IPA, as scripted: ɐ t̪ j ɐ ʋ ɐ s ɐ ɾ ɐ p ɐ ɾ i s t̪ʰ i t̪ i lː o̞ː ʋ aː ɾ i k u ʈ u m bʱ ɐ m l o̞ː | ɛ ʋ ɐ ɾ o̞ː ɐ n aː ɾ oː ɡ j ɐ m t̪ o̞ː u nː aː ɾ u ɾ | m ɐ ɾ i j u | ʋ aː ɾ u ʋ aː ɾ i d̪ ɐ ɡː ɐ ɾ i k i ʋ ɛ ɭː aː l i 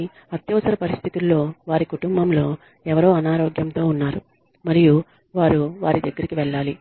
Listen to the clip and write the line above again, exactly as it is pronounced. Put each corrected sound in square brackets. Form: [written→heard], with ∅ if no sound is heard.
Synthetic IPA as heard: ɐ t̪ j ɐ ʋ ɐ s ɐ ɾ ɐ p ɐ ɾ i s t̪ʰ i t̪ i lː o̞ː ʋ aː ɾ i k u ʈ u m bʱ ɐ m l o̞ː | ɛ ʋ ɐ ɾ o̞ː ɐ n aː ɾ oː ɡ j ɐ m t̪ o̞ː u nː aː ɾ u [ɾ→∅] | m ɐ ɾ i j u | ʋ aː ɾ u ʋ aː ɾ i d̪ ɐ ɡː ɐ ɾ i k i ʋ ɛ ɭː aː l i

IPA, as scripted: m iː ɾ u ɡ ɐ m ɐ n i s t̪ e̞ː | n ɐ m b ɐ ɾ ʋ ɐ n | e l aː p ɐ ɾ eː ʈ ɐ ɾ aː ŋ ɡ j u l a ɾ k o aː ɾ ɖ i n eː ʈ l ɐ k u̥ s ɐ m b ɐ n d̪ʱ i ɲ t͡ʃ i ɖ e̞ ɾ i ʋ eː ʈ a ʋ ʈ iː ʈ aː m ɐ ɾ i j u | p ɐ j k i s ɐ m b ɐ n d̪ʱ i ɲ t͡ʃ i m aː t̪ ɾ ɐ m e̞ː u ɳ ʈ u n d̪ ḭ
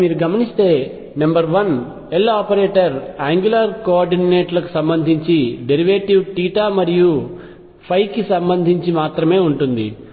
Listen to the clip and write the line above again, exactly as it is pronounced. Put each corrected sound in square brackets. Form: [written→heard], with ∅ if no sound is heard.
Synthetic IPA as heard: m iː ɾ u ɡ ɐ m ɐ n i s t̪ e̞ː | n ɐ m b ɐ ɾ ʋ ɐ n | e l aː p ɐ ɾ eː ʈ ɐ ɾ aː ŋ ɡ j u l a ɾ k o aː ɾ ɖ i n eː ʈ l ɐ k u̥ s ɐ m b ɐ n d̪ʱ i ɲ t͡ʃ i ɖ e̞ ɾ i ʋ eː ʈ [a→i] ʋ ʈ iː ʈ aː m ɐ ɾ i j u | [p→pʰ] ɐ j k i s ɐ m b ɐ n d̪ʱ i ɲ t͡ʃ i m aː t̪ ɾ ɐ m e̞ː u ɳ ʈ u n d̪ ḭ

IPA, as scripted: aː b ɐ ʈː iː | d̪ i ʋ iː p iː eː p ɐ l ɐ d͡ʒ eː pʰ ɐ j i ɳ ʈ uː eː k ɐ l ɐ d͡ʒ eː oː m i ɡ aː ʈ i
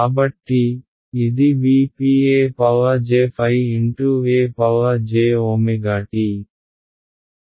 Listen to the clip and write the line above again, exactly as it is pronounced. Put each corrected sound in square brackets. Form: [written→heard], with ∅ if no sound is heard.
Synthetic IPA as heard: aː b ɐ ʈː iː | d̪ i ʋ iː p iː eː p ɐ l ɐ d͡ʒ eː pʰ ɐ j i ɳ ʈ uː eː [k→p] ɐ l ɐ d͡ʒ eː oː m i ɡ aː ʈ i

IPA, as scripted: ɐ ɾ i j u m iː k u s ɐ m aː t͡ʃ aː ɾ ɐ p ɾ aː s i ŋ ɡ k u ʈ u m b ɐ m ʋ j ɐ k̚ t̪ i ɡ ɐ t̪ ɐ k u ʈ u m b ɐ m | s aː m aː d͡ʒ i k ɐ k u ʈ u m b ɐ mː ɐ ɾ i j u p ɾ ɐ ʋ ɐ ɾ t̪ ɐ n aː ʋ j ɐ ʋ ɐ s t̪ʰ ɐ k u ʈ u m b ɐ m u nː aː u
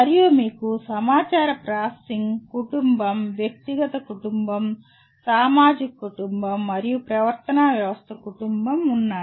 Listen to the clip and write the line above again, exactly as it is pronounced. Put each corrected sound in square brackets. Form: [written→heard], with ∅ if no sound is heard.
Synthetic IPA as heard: ɐ ɾ i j u m iː k u s ɐ m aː t͡ʃ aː ɾ ɐ p ɾ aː s i ŋ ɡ k u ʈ u m b ɐ m ʋ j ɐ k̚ t̪ i ɡ ɐ t̪ ɐ k u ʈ u m b ɐ m | s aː m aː d͡ʒ i k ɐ k u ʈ u m b ɐ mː ɐ ɾ i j u p ɾ ɐ ʋ ɐ ɾ t̪ ɐ n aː ʋ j ɐ ʋ ɐ s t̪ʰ ɐ k u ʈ u m b ɐ m u nː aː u

